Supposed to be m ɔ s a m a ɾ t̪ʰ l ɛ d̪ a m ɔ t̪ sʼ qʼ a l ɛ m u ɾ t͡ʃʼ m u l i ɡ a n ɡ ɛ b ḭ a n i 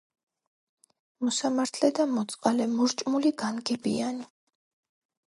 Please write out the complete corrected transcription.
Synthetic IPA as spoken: m ɔ s a m a ɾ t̪ʰ l ɛ d̪ a m ɔ t̪ sʼ qʼ a l ɛ m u ɾ t͡ʃʼ m u l i ɡ a n ɡ ɛ b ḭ a n i

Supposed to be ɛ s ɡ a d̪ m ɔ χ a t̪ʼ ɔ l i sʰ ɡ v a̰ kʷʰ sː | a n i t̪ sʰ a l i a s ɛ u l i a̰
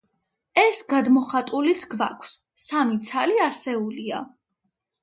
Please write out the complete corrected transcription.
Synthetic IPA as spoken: ɛ s ɡ a d̪ m ɔ χ a t̪ʼ u l i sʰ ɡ v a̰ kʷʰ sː | a m i t̪ sʰ a l i a s ɛ u l i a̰

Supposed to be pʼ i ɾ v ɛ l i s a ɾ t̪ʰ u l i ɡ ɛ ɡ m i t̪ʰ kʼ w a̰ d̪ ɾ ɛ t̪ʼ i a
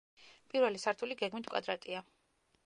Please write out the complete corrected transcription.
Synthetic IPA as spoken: pʼ i ɾ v ɛ l i s a ɾ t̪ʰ u l i ɡ ɛ ɡ m i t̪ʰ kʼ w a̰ d̪ ɾ a t̪ʼ i a

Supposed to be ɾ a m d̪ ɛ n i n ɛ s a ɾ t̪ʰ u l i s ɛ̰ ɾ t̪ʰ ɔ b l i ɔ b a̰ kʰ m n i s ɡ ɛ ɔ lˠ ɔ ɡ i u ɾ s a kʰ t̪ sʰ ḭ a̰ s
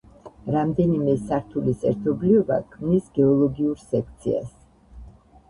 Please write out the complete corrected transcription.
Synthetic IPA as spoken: ɾ a m d̪ ɛ n i m ɛ s a ɾ t̪ʰ u l i s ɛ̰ ɾ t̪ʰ ɔ b l i ɔ b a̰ kʰ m n i s ɡ ɛ ɔ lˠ ɔ ɡ i u ɾ s ɛ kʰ t̪ sʰ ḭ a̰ s

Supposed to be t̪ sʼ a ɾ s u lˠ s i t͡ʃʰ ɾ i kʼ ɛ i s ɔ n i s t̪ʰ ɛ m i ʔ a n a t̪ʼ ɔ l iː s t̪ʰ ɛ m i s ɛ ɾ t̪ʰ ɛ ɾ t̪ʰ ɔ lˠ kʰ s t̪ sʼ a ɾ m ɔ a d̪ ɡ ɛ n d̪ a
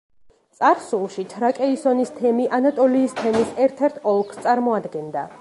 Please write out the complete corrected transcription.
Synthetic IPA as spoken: t̪ sʼ a ɾ s u lˠ ʃ i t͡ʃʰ ɾ a kʼ ɛ i s ɔ n i s t̪ʰ ɛ m i ʔ a n a t̪ʼ ɔ l iː s t̪ʰ ɛ m i s ɛ ɾ t̪ʰ ɛ ɾ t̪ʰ ɔ lˠ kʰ s t̪ sʼ a ɾ m ɔ a d̪ ɡ ɛ n d̪ a

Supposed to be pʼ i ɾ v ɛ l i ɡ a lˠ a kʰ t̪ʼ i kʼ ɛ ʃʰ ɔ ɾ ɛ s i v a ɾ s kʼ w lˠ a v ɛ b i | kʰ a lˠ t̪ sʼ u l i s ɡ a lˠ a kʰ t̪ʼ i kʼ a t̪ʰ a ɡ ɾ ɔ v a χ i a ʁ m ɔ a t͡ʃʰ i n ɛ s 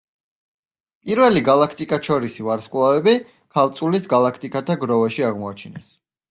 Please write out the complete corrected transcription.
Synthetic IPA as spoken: pʼ i ɾ v ɛ l i ɡ a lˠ a kʰ t̪ʼ i kʼ a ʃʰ ɔ ɾ i s i v a ɾ s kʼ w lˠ a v ɛ b i | kʰ a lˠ t̪ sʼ u l i s ɡ a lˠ a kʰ t̪ʼ i kʼ a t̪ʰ a ɡ ɾ ɔ v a ʃ i a ʁ m ɔ a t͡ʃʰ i n ɛ s

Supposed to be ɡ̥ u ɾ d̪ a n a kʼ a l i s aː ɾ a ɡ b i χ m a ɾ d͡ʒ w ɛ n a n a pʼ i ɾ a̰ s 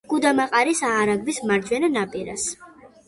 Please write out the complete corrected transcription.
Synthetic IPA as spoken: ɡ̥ u d̪ a m a qʼ a ɾ i s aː ɾ a ɡ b i s m a ɾ d͡ʒ w ɛ n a n a pʼ i ɾ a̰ s

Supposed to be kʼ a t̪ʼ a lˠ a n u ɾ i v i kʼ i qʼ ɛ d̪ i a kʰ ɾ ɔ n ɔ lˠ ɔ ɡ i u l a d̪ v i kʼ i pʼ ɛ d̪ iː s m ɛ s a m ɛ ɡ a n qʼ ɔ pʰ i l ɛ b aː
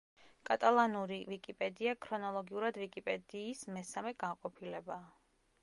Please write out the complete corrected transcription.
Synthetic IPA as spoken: kʼ a t̪ʼ a lˠ a n u ɾ i v i kʼ i pʼ ɛ d̪ i a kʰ ɾ ɔ n ɔ lˠ ɔ ɡ i u ɾ a d̪ v i kʼ i pʼ ɛ d̪ iː s m ɛ s a m ɛ ɡ a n qʼ ɔ pʰ i l ɛ b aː

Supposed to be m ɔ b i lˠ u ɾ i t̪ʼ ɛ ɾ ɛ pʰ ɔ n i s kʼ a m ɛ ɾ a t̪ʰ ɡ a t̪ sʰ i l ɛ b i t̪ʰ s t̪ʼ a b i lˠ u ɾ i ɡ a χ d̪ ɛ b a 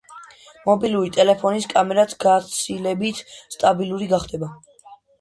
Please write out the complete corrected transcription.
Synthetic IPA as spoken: m ɔ b i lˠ u ɾ i t̪ʼ ɛ l ɛ pʰ ɔ n i s kʼ a m ɛ ɾ a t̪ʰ ɡ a t̪ sʰ i l ɛ b i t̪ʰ s t̪ʼ a b i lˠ u ɾ i ɡ a χ d̪ ɛ b a

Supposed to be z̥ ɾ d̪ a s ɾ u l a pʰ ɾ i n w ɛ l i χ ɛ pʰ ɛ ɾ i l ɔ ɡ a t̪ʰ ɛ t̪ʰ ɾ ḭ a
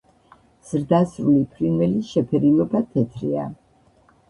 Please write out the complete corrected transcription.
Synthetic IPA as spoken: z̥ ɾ d̪ a s ɾ u l i pʰ ɾ i n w ɛ l i ʃ ɛ pʰ ɛ ɾ i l ɔ b a t̪ʰ ɛ t̪ʰ ɾ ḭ a

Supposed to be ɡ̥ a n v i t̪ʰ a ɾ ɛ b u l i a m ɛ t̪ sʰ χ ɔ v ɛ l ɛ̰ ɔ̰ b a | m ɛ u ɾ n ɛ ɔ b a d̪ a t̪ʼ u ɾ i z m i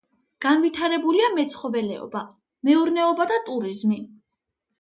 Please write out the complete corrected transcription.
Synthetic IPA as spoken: ɡ̥ a n v i t̪ʰ a ɾ ɛ b u l i a m ɛ t̪ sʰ χ ɔ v ɛ l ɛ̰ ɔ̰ b a | m ɛ u ɾ n ɛ ɔ b a d̪ a t̪ʼ u ɾ i z m i

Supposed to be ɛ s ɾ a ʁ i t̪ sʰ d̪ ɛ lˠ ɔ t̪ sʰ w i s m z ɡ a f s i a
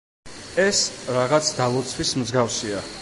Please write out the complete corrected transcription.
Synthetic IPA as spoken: ɛ s ɾ a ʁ a t̪ sʰ d̪ a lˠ ɔ t̪ sʰ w i s m z ɡ a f s i a

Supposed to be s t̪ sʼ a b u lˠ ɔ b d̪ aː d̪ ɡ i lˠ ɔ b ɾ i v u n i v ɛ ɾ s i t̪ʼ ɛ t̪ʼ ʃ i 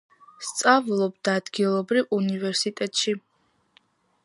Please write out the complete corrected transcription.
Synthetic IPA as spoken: s t̪ sʼ a v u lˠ ɔ b d̪ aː d̪ ɡ i lˠ ɔ b ɾ i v u n i v ɛ ɾ s i t̪ʼ ɛ t̪ʼ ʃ i

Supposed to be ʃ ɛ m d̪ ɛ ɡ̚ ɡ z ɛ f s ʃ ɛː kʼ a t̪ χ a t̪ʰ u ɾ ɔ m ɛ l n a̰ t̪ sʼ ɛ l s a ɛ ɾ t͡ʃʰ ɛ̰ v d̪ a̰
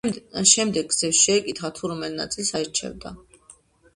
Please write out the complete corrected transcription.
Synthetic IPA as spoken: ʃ ɛ m d̪ ɛ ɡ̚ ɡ z ɛ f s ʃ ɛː kʼ i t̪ χ a t̪ʰ u ɾ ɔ m ɛ l n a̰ t̪ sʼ i l s a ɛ ɾ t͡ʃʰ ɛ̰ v d̪ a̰

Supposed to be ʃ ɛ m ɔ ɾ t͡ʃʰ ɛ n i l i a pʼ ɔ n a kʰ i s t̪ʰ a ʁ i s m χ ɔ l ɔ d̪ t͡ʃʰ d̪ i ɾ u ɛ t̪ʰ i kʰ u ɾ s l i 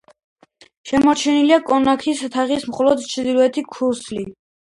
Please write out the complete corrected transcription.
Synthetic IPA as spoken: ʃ ɛ m ɔ ɾ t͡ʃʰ ɛ n i l i a kʼ ɔ n a kʰ i s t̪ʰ a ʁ i s m χ ɔ l ɔ d̪ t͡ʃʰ d̪ i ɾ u ɛ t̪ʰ i kʰ u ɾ s l i

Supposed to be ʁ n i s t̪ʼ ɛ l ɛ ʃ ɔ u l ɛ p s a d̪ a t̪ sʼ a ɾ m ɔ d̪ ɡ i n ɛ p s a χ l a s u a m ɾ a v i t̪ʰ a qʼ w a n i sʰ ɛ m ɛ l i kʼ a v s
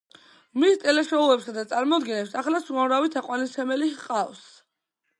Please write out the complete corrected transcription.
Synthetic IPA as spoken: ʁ m i s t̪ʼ ɛ l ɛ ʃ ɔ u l ɛ p s a d̪ a t̪ sʼ a ɾ m ɔ d̪ ɡ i n ɛ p s a χ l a s u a m ɾ a v i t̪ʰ a qʼ w a n i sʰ ɛ m ɛ l i qʼ a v s

